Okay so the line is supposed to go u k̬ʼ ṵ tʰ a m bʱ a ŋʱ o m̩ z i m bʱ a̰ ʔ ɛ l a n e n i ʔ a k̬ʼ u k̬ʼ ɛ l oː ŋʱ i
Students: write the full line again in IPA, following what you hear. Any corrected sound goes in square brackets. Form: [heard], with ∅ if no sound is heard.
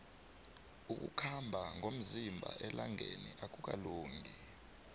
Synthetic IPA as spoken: u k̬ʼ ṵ [kʰ] a m bʱ a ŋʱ o m̩ z i m bʱ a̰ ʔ ɛ l a [ŋ] e n i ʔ a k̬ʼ u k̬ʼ [a] l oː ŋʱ i

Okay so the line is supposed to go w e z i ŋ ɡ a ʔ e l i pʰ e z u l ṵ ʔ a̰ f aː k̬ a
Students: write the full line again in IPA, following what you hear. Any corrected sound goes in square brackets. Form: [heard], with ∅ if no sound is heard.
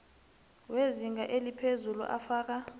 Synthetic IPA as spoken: w e z i ŋ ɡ a ʔ e l i pʰ e z u l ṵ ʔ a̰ f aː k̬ a

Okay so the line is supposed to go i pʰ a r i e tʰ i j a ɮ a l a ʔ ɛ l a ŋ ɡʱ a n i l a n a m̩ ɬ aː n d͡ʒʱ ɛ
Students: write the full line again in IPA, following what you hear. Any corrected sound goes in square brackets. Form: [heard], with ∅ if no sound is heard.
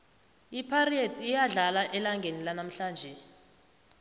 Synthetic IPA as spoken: i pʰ a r i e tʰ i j a ɮ a l a ʔ ɛ l a ŋ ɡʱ [e] n i l a n a m̩ ɬ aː n d͡ʒʱ ɛ

